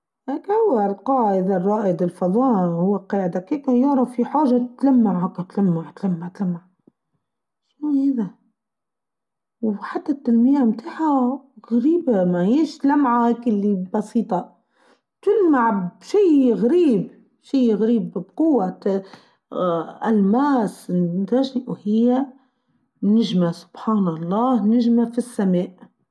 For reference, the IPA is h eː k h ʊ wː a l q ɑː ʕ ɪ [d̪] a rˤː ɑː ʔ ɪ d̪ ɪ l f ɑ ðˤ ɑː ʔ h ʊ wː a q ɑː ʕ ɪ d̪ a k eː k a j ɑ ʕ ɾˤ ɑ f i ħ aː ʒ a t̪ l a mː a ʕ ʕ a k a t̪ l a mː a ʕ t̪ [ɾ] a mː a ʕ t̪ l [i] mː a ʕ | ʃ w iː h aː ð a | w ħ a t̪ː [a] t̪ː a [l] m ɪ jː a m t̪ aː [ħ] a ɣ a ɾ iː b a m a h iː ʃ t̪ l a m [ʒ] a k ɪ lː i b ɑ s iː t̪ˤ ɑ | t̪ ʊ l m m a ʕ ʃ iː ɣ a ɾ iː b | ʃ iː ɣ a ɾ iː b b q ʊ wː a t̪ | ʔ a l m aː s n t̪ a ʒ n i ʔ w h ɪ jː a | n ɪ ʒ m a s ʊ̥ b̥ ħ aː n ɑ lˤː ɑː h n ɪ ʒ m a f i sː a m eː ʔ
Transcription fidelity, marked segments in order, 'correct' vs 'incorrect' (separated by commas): correct, incorrect, incorrect, correct, correct, correct, incorrect